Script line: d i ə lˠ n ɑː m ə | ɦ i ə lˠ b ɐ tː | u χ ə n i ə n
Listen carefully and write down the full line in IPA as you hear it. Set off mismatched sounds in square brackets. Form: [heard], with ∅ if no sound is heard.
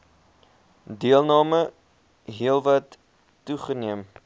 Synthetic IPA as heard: d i ə lˠ n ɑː m ə | ɦ i ə lˠ [v] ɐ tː | u χ ə n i ə [m]